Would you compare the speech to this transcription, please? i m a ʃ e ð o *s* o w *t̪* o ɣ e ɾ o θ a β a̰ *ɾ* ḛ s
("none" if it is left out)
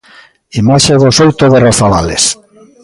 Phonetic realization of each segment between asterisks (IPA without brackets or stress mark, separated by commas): s, t̪, l